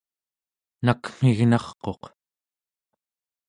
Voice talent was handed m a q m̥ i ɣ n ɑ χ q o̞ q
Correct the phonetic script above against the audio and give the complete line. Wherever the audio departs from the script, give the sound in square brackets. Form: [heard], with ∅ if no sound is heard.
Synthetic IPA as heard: [n] a [k] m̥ i ɣ n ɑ χ q o̞ q